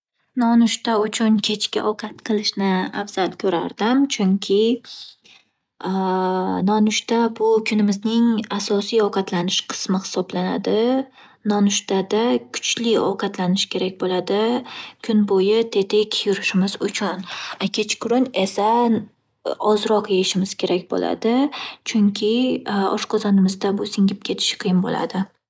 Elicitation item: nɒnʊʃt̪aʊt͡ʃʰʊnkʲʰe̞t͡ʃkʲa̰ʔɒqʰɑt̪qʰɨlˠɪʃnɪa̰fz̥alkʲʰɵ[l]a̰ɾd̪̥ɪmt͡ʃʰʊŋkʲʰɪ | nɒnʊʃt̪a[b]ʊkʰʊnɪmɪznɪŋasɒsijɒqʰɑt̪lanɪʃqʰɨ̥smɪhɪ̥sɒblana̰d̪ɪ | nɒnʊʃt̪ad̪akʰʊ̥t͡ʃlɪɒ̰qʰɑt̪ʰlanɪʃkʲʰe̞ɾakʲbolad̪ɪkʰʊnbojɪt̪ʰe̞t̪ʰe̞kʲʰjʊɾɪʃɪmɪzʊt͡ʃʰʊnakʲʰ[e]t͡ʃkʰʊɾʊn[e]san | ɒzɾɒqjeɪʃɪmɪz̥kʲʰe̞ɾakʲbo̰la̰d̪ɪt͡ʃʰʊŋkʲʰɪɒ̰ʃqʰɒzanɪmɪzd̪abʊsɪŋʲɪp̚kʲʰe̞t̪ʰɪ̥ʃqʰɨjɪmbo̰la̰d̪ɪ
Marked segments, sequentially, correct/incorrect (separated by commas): incorrect, correct, correct, correct